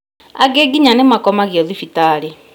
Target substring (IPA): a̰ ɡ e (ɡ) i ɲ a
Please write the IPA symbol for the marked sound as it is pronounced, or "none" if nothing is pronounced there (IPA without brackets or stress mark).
ɡ